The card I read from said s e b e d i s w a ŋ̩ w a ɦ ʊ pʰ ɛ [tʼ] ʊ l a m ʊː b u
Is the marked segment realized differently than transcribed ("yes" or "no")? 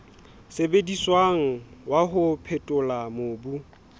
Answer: no